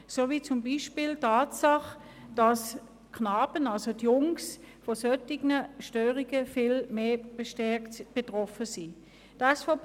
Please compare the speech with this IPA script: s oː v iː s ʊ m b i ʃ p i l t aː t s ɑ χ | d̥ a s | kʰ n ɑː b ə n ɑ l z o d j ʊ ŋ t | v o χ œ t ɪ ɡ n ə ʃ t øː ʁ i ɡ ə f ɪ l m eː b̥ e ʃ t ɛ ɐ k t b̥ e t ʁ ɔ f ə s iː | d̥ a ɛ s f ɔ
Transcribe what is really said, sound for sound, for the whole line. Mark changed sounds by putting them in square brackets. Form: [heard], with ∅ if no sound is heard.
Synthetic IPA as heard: s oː v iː [t͡s] ʊ m b i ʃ p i l t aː t s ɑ χ | d̥ [ɑ] s | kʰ n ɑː b ə n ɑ l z o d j ʊ ŋ [s] | [f] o [s] œ t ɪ ɡ n ə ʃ t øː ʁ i ɡ ə f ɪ l m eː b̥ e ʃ t ɛ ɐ k t b̥ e t ʁ ɔ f ə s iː | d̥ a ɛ s f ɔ